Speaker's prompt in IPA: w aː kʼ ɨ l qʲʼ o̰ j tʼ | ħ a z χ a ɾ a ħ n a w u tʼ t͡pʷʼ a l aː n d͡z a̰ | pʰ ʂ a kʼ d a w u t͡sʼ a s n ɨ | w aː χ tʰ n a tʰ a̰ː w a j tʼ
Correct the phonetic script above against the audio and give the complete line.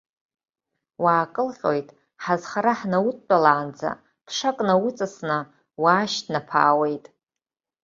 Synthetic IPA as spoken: w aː kʼ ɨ l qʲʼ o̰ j tʼ | ħ a z χ a ɾ a ħ n a w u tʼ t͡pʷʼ a l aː n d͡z a̰ | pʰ ʂ a kʼ n a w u t͡sʼ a s n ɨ | w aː ʃ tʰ n a pʰ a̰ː w e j tʼ